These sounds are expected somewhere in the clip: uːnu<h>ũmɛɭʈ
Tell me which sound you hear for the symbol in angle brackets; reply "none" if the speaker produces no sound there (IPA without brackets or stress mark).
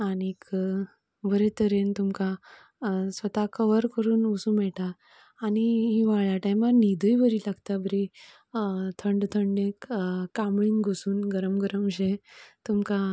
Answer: s